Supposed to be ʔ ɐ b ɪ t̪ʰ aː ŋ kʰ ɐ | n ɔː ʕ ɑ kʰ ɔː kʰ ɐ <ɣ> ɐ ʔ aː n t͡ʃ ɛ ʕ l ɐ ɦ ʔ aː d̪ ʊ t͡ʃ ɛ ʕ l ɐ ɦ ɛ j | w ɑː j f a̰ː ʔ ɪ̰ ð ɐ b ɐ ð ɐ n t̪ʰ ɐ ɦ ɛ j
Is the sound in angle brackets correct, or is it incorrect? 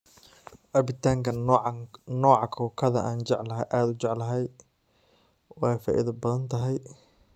incorrect